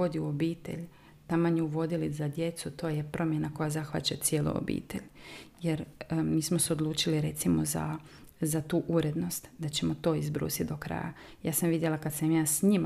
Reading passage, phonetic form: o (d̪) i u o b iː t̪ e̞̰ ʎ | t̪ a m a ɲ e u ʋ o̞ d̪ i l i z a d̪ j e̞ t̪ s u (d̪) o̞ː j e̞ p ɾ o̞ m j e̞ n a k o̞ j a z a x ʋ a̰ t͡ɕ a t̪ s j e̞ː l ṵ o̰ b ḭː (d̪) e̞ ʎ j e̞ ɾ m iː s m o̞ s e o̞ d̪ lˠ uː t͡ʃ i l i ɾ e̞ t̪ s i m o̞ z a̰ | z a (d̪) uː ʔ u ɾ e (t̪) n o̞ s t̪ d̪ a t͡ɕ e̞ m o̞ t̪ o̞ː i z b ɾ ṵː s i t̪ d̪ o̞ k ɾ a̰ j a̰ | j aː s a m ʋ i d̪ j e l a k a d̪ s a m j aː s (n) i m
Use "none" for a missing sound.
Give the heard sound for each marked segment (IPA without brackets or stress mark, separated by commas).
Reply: d̪, t̪, t̪, t̪, d̪, ɲ